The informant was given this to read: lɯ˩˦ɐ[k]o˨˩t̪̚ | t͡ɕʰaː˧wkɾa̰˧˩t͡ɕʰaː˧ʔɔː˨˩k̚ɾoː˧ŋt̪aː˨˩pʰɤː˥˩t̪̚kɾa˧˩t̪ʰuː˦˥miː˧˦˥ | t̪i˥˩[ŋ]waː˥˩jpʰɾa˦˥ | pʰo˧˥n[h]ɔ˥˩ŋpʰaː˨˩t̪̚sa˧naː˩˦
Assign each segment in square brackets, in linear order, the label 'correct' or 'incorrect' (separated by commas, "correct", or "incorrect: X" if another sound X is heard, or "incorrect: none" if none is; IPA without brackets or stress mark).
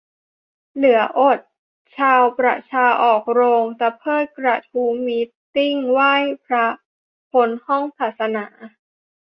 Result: incorrect: ʔ, correct, correct